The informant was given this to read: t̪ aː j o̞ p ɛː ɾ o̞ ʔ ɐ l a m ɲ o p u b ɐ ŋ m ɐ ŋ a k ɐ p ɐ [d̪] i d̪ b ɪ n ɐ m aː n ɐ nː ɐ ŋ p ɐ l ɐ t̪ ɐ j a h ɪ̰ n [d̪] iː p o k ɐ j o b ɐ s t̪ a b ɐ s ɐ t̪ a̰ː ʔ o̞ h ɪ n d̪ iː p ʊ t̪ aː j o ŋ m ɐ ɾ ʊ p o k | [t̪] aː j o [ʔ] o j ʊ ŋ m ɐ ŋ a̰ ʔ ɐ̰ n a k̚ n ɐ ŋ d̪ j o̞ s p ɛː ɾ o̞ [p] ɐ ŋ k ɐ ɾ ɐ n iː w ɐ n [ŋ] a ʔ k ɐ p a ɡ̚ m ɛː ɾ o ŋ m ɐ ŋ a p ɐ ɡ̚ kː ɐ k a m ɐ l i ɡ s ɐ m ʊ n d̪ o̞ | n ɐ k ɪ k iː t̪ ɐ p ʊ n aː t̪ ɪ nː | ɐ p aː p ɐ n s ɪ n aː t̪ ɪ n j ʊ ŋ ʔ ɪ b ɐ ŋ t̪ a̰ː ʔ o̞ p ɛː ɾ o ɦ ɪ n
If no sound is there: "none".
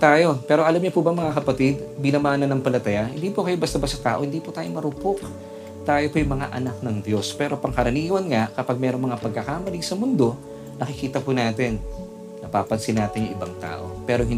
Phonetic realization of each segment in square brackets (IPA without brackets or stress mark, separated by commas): t̪, d̪, t̪, p, p, ŋ